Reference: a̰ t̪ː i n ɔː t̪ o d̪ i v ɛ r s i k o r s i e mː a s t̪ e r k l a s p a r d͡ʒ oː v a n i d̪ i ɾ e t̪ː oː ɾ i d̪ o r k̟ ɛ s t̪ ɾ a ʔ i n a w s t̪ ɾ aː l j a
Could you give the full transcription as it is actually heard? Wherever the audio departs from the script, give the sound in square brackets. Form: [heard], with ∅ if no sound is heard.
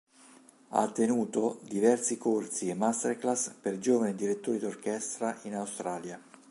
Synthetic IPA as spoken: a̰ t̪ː [e] n [uː] t̪ o d̪ i v ɛ r s i k o r s i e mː a s t̪ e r k l a s p [e] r d͡ʒ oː v a n i d̪ i ɾ e t̪ː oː ɾ i d̪ o r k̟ ɛ s t̪ ɾ a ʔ i n a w s t̪ ɾ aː l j a